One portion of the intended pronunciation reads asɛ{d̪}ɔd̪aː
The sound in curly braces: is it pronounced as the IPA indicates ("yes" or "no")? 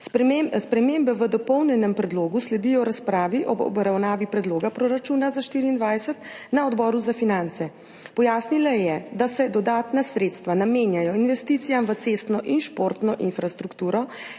yes